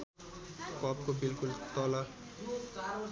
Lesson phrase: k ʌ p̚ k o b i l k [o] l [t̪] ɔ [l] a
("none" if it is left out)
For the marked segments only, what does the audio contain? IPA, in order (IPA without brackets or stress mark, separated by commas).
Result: u, t̪, l